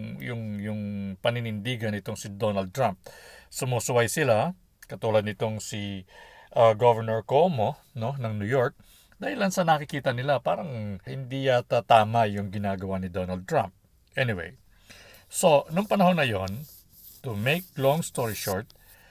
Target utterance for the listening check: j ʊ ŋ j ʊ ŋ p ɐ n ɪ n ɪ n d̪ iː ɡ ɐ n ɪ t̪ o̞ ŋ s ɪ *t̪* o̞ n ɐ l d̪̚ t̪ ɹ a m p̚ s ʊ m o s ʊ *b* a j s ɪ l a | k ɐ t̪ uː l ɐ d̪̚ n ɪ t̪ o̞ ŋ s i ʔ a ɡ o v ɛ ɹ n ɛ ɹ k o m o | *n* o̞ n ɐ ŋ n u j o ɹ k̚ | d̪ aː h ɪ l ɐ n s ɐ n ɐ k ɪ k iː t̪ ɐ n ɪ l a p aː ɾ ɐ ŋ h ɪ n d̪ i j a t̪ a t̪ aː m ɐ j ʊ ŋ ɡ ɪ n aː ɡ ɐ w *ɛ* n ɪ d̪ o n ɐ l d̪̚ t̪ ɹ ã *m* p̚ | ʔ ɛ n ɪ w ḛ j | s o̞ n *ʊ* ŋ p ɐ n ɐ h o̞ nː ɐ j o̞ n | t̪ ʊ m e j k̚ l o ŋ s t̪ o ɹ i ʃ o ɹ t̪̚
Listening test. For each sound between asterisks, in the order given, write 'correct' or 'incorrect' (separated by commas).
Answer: incorrect, incorrect, correct, incorrect, correct, correct